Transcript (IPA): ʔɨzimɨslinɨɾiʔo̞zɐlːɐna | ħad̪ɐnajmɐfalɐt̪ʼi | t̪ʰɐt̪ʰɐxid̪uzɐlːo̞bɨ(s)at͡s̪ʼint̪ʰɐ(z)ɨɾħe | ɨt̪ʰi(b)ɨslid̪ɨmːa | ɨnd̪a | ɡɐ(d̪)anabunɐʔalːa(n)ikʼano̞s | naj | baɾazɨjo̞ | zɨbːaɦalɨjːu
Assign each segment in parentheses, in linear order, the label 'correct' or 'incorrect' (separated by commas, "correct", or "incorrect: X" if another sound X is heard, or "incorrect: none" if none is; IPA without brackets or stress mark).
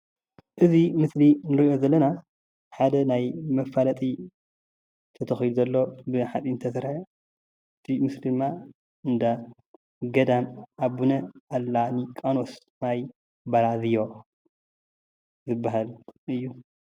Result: incorrect: ħ, incorrect: s, incorrect: m, correct, correct